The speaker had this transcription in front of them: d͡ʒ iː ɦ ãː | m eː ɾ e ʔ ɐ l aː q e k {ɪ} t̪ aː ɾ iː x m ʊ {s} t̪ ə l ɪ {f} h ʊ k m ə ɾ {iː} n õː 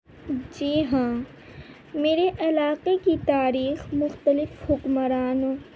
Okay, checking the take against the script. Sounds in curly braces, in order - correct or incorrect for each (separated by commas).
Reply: incorrect, incorrect, correct, incorrect